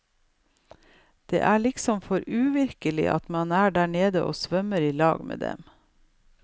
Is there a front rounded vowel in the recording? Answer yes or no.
yes